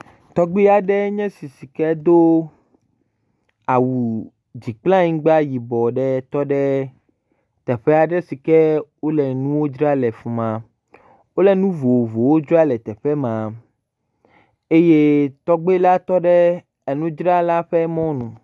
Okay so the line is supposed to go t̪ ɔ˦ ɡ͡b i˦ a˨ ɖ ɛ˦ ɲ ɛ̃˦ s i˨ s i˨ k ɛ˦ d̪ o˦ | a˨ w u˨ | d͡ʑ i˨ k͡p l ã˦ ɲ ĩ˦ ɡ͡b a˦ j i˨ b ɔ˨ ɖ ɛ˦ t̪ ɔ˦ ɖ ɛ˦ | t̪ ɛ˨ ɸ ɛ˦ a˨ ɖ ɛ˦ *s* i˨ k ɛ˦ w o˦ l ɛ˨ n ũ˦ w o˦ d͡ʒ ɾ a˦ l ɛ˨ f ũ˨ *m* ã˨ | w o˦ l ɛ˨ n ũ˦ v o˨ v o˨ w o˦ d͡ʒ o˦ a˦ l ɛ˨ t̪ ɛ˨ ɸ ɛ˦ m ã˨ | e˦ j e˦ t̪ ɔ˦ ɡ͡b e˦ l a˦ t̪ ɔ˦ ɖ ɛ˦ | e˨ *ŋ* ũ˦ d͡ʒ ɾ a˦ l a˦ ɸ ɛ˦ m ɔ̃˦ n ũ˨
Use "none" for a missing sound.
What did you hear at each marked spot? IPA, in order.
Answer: s, m, n

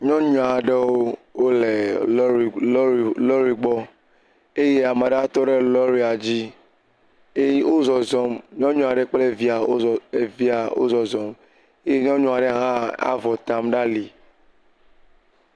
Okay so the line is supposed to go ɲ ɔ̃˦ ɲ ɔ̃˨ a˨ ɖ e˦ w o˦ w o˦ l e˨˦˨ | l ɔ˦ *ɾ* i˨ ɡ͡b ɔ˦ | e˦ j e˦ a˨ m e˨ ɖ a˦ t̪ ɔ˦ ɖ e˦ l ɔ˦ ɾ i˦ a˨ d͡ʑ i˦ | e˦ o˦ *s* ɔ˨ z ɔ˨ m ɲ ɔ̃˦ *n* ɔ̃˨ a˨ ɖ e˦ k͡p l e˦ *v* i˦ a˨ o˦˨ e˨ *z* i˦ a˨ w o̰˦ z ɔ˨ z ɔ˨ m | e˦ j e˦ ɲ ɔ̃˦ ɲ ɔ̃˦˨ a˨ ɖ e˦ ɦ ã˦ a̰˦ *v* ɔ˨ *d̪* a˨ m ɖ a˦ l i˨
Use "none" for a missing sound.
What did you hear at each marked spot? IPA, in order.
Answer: ɾ, z, ɲ, v, v, v, t̪

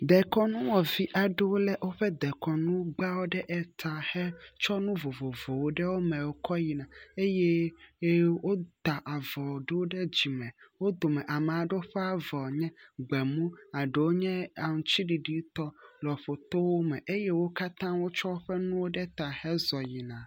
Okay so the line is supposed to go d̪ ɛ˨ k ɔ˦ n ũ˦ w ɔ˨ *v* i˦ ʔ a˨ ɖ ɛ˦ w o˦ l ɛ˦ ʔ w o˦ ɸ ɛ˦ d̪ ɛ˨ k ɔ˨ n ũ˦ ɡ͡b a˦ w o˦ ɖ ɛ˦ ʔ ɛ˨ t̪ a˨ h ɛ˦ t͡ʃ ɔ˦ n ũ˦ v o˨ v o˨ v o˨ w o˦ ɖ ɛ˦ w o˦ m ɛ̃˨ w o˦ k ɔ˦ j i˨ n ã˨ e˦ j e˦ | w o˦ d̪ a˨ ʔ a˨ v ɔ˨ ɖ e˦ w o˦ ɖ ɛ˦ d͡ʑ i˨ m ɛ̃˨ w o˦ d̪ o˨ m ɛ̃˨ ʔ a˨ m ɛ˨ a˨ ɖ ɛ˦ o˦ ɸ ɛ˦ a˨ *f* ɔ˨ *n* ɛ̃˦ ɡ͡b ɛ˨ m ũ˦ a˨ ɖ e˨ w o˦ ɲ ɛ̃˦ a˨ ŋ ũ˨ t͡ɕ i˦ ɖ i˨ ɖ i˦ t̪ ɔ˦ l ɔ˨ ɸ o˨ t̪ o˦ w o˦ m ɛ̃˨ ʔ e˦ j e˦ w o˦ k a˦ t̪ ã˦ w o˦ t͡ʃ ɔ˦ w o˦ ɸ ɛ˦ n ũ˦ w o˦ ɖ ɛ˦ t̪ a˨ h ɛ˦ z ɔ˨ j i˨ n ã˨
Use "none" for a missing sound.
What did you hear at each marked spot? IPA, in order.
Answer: v, v, ɲ

